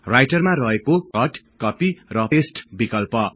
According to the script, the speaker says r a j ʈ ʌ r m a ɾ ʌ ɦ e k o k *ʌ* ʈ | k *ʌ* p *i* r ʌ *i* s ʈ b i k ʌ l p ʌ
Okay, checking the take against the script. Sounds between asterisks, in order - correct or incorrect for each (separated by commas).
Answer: correct, correct, correct, incorrect